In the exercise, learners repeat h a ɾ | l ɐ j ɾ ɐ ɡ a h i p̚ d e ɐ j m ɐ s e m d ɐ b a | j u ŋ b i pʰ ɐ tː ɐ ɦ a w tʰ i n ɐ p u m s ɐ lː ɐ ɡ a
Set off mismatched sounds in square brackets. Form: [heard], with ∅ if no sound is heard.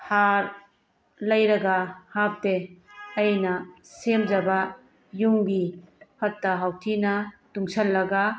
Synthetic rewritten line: h a ɾ | l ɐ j ɾ ɐ ɡ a h [a] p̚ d e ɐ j [n] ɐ s e m [d͡ʒ] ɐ b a | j u ŋ b i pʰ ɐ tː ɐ ɦ a w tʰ i n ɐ [t] u [ŋ] s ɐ lː ɐ ɡ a